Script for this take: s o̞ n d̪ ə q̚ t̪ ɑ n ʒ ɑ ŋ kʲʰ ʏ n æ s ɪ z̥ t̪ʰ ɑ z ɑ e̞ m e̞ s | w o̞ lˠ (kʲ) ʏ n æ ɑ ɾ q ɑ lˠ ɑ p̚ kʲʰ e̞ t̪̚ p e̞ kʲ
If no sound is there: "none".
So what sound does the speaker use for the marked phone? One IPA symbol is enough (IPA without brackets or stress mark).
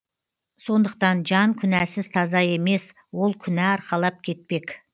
kʲʰ